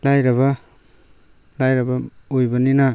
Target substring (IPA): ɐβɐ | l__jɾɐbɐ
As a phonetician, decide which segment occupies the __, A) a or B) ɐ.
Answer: A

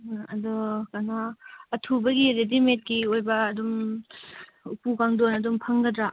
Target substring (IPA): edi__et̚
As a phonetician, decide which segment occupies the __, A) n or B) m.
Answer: B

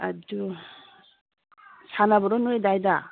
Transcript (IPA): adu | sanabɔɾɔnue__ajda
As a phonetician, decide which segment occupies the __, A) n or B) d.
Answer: B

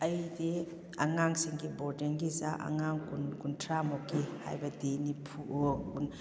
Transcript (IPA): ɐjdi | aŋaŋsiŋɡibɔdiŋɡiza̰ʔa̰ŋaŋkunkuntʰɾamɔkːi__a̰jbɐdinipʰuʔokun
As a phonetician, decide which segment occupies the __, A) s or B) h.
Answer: B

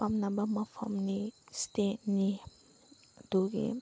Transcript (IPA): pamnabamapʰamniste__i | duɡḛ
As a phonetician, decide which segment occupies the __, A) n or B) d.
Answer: A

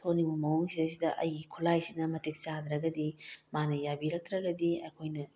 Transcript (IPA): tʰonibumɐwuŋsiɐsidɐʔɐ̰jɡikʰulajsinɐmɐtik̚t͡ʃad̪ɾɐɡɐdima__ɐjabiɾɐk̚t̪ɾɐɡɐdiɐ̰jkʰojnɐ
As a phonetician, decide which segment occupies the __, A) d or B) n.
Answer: B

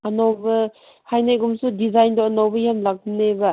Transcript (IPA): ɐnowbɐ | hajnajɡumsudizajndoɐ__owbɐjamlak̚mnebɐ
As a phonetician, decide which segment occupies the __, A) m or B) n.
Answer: B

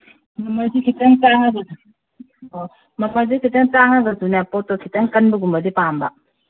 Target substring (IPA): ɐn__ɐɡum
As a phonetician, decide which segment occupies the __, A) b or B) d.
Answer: A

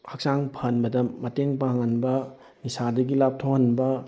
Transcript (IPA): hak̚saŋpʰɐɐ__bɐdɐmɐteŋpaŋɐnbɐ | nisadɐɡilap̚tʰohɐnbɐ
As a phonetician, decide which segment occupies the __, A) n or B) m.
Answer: A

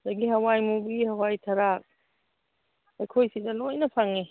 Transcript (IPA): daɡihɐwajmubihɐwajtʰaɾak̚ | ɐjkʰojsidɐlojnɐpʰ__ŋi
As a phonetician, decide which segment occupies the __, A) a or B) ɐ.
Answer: A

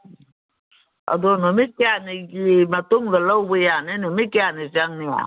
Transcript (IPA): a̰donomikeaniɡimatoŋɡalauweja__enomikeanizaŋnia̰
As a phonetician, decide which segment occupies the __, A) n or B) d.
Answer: A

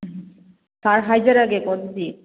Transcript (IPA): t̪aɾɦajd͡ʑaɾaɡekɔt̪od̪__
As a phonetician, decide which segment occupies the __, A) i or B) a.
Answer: A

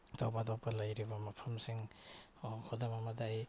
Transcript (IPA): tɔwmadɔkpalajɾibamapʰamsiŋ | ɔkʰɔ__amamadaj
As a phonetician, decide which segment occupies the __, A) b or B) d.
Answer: B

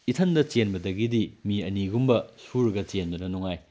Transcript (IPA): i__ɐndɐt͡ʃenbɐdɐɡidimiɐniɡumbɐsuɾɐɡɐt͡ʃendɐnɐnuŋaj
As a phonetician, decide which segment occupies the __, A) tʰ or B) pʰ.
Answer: A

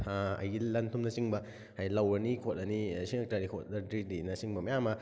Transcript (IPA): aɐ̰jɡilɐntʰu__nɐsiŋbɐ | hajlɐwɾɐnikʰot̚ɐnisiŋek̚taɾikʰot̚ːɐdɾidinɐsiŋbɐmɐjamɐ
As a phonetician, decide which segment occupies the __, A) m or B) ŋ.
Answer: A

